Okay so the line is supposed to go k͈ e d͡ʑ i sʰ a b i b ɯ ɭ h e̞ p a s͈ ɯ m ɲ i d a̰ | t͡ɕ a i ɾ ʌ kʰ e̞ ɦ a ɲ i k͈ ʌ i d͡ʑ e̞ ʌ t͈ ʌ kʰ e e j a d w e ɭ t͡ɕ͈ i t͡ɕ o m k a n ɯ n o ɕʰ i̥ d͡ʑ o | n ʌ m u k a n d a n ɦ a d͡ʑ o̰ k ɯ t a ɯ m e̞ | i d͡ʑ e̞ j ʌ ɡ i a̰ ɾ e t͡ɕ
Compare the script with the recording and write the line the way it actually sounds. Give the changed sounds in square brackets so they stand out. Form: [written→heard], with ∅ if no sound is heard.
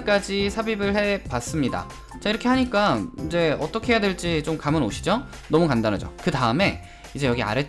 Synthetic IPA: k͈ [e→a] d͡ʑ i sʰ a b i b ɯ ɭ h e̞ p a s͈ ɯ m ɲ i d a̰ | t͡ɕ a i ɾ ʌ kʰ e̞ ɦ a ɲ i k͈ [ʌ→a] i d͡ʑ e̞ ʌ t͈ ʌ kʰ e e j a d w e ɭ t͡ɕ͈ i t͡ɕ o m k a [n→m] ɯ n o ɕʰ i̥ d͡ʑ o | n ʌ m u k a n d a n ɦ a d͡ʑ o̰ k ɯ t a ɯ m e̞ | i d͡ʑ e̞ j ʌ ɡ i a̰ ɾ e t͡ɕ